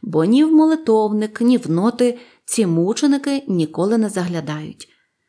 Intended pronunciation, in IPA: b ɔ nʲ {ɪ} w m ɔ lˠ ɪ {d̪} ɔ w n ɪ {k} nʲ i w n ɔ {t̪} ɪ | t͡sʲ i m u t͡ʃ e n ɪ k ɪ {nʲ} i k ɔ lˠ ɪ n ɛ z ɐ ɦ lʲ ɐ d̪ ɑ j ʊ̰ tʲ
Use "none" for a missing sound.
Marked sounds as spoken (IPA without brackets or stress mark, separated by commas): i, t̪, k, t̪, nʲ